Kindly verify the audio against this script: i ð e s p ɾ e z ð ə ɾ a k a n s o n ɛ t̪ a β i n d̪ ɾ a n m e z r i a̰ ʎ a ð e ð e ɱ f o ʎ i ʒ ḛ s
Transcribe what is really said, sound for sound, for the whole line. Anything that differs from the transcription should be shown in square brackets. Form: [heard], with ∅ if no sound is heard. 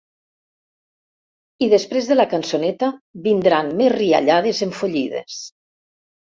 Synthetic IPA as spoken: i ð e s p ɾ e z ð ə [l] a k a n s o n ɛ t̪ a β i n d̪ ɾ a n m e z r i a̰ ʎ a ð e [z] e ɱ f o ʎ i [ð] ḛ s